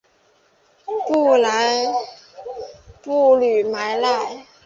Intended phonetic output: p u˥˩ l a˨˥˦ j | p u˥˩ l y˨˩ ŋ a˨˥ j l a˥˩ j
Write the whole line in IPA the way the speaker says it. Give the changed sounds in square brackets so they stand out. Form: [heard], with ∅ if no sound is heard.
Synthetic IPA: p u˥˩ l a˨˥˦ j | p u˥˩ l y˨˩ [m] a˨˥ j l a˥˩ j